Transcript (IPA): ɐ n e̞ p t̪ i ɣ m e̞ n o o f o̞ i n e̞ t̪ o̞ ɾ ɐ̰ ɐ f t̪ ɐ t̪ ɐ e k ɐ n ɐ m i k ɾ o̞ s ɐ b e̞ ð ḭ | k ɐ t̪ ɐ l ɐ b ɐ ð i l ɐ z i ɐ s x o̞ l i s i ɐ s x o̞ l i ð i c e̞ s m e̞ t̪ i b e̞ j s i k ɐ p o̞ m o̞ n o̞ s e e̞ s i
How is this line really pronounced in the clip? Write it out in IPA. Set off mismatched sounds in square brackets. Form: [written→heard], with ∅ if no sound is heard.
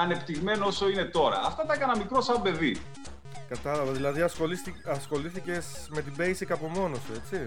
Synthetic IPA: ɐ n e̞ p t̪ i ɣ m e̞ n o o [f→s] o̞ i n e̞ t̪ o̞ ɾ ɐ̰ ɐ f t̪ ɐ t̪ ɐ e k ɐ n ɐ m i k ɾ o̞ s ɐ b e̞ ð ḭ | k ɐ t̪ ɐ l ɐ [b→v] ɐ ð i l ɐ [z→ð] i ɐ s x o̞ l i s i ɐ s x o̞ l i [ð→θ] i c e̞ s m e̞ t̪ i b e̞ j s i k ɐ p o̞ m o̞ n o̞ s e e̞ [s→t͡s] i